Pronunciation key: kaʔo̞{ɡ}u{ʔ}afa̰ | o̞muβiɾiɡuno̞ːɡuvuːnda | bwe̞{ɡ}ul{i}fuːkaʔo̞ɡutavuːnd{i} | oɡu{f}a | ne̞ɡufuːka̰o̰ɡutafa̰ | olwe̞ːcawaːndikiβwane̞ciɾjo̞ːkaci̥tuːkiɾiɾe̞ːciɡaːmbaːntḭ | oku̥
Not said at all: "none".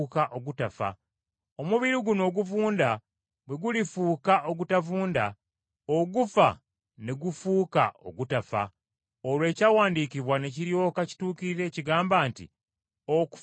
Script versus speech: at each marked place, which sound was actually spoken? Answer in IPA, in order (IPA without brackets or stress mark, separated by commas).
ɡ, t, ɡ, i, a, f